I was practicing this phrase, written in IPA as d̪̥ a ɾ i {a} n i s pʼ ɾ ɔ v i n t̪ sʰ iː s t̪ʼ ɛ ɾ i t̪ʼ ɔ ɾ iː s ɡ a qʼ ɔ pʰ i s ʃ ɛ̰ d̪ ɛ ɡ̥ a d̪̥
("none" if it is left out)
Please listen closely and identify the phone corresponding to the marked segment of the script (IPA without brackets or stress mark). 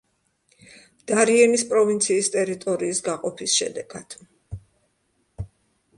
ɛ